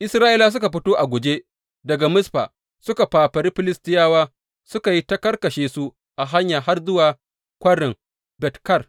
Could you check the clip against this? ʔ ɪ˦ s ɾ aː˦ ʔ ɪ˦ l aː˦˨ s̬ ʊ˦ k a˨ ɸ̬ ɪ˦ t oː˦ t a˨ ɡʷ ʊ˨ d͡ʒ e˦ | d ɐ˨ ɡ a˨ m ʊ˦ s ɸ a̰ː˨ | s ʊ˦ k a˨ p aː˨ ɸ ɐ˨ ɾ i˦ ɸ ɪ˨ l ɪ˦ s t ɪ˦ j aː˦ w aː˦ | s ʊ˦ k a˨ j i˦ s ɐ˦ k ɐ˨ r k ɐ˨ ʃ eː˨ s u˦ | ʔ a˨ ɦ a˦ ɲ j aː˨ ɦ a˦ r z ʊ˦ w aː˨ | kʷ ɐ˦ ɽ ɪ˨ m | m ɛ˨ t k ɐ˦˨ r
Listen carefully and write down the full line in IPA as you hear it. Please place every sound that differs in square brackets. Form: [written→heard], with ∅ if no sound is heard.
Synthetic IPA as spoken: ʔ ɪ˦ s ɾ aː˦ ʔ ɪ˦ l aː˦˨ s̬ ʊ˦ k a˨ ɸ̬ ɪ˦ t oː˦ [t→ʔ] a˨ ɡʷ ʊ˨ d͡ʒ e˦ | d ɐ˨ ɡ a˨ m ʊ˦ s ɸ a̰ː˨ | s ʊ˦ k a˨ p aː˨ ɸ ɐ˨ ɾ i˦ ɸ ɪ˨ l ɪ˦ s t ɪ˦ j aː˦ w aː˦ | s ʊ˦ k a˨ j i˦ [s→t] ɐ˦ k [ɐ˨→ɐ˦] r k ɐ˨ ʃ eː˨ s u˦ | ʔ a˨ ɦ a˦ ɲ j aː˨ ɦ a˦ r z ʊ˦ w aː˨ | kʷ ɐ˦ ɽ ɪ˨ [m→ŋ] | [m→b] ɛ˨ t k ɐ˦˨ r